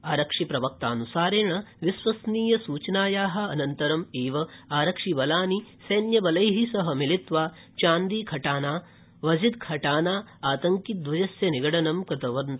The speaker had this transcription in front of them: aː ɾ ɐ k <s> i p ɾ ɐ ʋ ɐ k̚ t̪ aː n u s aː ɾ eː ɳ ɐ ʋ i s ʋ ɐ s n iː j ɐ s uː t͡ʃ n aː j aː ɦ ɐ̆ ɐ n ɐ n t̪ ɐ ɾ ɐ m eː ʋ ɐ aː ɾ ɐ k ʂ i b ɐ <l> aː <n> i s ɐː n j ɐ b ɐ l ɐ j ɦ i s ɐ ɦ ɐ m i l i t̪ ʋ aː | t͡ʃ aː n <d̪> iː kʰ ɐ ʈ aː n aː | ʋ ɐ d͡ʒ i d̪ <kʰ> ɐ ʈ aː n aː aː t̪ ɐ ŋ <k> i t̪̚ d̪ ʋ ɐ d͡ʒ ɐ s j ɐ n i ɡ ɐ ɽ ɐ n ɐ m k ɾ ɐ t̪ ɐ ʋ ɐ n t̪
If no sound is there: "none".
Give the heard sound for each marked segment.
ʂ, l, n, d̪, kʰ, k

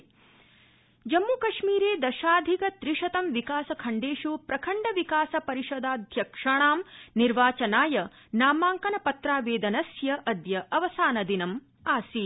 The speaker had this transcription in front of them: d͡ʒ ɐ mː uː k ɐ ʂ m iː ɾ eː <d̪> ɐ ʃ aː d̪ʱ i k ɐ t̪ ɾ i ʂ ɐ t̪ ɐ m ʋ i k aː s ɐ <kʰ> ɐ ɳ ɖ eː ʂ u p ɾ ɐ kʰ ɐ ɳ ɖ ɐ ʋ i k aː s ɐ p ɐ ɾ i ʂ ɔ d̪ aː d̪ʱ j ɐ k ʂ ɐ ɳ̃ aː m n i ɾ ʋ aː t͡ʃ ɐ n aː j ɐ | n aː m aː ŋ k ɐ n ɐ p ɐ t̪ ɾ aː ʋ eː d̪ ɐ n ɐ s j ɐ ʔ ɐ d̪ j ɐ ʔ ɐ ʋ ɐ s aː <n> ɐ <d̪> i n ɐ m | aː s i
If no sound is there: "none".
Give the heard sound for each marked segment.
d̪, kʰ, n, d̪

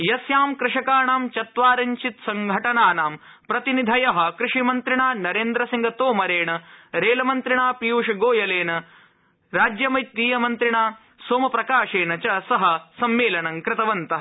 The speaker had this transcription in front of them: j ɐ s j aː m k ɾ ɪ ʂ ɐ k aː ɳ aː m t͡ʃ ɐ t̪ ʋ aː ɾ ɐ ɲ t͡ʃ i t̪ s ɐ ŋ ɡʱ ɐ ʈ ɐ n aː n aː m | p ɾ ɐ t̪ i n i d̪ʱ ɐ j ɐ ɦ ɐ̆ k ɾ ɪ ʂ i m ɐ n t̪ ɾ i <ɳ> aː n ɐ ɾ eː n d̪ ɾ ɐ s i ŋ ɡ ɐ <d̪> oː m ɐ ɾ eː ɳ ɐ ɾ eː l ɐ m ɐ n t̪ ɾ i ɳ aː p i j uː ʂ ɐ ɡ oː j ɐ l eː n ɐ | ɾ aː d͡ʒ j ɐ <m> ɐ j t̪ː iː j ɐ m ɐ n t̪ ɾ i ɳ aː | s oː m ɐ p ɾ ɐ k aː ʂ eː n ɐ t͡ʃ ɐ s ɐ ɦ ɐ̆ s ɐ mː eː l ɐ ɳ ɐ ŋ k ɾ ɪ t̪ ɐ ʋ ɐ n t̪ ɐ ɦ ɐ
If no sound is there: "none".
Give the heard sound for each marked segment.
ɳ, t̪, m

